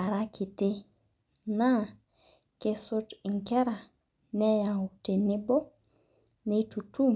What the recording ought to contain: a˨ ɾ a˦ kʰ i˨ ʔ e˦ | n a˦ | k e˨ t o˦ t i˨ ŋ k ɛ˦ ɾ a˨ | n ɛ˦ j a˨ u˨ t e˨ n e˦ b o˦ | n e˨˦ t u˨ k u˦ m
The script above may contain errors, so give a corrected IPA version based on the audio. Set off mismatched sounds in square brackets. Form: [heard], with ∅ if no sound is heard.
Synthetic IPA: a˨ ɾ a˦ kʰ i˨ [t] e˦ | n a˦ | k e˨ [s] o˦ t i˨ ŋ k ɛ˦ ɾ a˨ | n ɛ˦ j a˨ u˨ t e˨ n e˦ b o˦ | n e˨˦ t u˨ [t] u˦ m